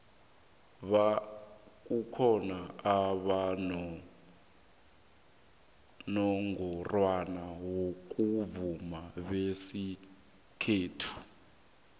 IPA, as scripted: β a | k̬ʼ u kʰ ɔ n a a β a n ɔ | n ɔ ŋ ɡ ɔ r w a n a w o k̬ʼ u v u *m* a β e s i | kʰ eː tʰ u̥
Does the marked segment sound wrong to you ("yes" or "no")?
no